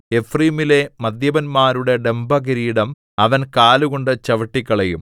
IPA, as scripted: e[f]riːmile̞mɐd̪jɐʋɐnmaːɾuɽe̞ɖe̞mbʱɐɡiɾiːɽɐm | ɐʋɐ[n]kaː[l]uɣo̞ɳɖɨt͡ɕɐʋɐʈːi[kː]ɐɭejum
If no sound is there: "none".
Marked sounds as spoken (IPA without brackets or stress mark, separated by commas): f, n, l, kː